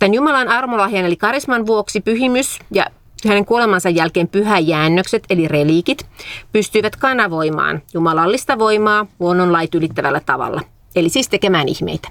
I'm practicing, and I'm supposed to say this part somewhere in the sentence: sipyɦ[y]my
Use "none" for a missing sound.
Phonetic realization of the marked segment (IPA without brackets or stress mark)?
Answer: i